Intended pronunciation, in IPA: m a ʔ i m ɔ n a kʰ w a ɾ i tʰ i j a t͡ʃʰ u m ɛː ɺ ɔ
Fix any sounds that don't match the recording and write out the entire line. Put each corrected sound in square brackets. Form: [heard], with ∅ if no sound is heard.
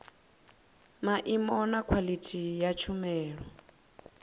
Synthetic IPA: m a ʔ i m ɔ n a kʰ w a [l] i tʰ i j a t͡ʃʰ u m ɛː ɺ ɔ